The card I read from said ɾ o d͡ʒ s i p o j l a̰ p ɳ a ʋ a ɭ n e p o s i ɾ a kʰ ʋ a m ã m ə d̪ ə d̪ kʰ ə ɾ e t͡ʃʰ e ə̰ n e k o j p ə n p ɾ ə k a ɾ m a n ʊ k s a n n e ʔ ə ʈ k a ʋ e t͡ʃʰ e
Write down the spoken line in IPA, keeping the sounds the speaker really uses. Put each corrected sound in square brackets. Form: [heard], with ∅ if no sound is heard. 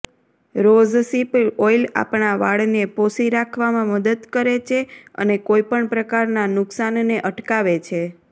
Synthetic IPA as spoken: ɾ o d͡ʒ s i p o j l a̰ p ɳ a ʋ a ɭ n e p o s i ɾ a kʰ ʋ a m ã m ə d̪ ə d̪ [k] ə ɾ e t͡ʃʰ e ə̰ n e k o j p ə [ɳ] p ɾ ə k a ɾ [n] a n ʊ k s a n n e ʔ ə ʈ k a ʋ e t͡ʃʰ e